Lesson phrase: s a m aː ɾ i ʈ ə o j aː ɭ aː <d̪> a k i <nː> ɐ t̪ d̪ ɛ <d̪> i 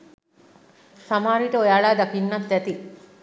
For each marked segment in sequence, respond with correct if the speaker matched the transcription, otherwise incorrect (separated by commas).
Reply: correct, correct, incorrect